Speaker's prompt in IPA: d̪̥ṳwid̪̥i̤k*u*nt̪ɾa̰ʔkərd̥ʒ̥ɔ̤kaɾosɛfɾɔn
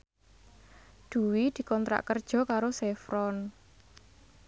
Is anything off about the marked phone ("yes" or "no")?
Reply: yes